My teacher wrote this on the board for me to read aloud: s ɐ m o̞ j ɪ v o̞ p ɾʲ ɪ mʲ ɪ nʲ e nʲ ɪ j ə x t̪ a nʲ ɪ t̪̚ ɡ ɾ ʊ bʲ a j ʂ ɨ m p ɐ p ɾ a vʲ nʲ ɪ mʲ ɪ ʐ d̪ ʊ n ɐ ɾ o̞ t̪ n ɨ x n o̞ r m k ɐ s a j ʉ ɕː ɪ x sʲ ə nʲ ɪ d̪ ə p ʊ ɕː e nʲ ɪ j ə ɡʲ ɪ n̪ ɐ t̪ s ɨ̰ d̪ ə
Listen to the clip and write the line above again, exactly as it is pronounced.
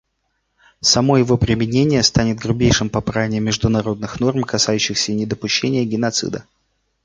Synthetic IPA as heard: s ɐ m o̞ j ɪ v o̞ p ɾʲ ɪ mʲ ɪ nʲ e nʲ ɪ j ə s t̪ a nʲ ɪ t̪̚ ɡ ɾ ʊ bʲ e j ʂ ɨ m p ɐ p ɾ a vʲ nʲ ɪ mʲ ɪ ʐ d̪ ʊ n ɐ ɾ o̞ d̪ n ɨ x n o̞ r m k ɐ s a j ʉ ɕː ɪ x sʲ ə nʲ ɪ d̪ ə p ʊ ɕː e nʲ ɪ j ə ɡʲ ɪ n̪ ɐ t̪ s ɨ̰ d̪ ə